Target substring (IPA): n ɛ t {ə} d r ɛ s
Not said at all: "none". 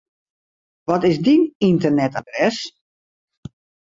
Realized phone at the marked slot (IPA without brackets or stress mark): a